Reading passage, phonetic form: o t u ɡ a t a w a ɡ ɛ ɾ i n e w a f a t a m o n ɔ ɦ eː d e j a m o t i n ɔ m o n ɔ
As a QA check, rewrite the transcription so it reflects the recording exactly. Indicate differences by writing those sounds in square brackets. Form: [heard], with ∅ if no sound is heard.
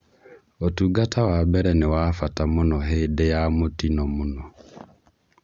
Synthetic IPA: o t u ɡ a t a w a [b] ɛ ɾ [ɛ] n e w a f a t a m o n ɔ ɦ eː d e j a m o t i n ɔ m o n ɔ